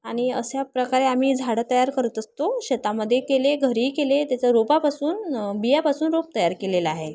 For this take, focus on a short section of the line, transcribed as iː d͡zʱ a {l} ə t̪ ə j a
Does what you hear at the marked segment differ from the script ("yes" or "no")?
yes